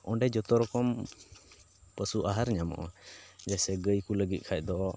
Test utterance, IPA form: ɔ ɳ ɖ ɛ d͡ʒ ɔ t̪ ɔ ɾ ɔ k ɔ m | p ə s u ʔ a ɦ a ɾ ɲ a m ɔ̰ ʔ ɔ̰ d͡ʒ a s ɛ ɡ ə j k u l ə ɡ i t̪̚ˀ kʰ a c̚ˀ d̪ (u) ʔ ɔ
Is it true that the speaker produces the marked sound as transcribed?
no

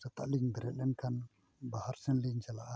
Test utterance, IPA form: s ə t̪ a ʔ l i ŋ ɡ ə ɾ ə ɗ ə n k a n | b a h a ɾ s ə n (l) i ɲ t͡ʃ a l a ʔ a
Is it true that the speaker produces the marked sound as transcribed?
yes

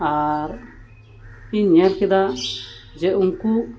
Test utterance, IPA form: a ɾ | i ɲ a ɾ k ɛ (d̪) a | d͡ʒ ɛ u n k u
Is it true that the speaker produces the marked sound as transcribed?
yes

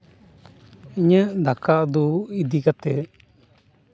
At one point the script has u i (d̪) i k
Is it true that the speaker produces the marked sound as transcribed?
yes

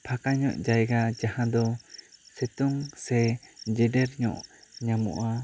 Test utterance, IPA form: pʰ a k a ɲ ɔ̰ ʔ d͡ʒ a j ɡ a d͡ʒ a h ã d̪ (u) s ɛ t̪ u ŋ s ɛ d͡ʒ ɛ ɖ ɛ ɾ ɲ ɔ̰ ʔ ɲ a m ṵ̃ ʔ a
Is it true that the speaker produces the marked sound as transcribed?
no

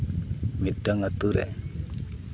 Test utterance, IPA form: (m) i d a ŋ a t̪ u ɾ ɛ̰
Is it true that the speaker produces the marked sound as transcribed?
yes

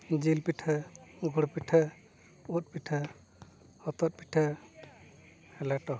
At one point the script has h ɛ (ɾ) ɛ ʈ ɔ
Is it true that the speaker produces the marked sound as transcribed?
no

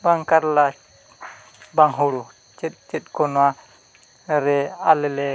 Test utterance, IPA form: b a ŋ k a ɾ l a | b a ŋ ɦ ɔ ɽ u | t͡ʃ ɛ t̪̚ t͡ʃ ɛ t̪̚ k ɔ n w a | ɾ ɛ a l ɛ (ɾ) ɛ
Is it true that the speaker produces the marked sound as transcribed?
no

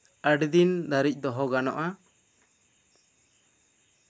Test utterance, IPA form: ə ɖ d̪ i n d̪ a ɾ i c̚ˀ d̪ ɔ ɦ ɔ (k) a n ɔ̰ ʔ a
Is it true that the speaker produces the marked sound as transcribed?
no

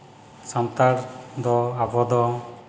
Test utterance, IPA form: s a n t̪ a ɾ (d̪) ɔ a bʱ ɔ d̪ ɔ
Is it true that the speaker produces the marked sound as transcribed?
yes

